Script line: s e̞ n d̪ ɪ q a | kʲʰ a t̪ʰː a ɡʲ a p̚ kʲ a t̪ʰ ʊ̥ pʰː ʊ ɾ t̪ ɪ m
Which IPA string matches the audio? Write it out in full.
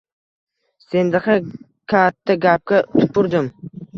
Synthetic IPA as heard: s e̞ n d̪ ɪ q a | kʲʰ a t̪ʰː a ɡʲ a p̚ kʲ a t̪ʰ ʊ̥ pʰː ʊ ɾ d̪ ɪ m